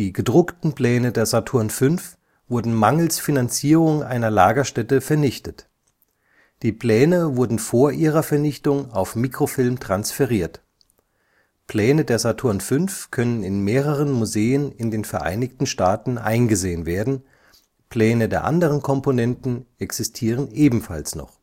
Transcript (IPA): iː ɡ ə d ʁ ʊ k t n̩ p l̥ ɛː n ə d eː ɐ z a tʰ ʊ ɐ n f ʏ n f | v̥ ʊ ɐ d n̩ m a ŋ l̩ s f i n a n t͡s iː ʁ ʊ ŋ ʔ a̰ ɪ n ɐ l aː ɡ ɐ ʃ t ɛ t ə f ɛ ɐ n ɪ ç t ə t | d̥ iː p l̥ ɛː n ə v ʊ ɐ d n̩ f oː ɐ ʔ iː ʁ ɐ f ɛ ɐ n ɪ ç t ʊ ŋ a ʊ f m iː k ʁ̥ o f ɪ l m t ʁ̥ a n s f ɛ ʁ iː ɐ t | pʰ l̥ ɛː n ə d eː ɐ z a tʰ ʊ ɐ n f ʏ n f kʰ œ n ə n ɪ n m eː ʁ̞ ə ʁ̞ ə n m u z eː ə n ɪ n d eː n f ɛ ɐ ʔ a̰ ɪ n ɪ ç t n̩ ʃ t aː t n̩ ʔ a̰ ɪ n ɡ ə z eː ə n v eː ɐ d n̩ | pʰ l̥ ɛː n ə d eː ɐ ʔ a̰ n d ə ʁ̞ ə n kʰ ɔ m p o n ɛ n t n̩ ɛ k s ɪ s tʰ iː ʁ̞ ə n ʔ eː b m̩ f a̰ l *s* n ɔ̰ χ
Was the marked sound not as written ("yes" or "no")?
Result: no